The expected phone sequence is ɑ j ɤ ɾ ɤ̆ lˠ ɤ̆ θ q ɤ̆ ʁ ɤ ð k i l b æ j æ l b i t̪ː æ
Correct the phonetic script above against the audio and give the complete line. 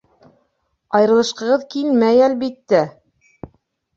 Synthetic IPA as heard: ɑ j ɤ ɾ ɤ̆ lˠ ɤ̆ ʃ q ɤ̆ ʁ ɤ ð k i l m æ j æ l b i t̪ː æ